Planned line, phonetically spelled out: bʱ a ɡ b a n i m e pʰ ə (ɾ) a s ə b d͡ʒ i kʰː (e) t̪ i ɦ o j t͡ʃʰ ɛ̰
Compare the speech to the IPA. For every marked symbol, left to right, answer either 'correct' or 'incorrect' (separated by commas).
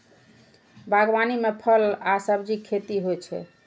incorrect, correct